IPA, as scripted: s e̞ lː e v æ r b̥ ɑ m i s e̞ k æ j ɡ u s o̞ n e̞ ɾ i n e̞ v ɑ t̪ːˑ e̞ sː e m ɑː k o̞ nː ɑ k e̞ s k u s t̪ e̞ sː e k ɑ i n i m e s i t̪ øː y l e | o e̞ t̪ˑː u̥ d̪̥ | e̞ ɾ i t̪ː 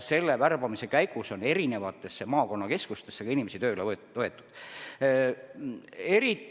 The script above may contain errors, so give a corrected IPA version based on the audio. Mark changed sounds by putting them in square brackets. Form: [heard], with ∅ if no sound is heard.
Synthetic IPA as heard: s e̞ lː e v æ r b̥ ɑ m i s e̞ k æ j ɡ u s o̞ n e̞ ɾ i n e̞ v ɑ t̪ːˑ e̞ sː e m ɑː k o̞ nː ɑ k e̞ s k u s t̪ e̞ sː e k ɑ i n i m e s i t̪ øː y l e | o e̞ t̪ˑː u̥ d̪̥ | e̞ ɾ i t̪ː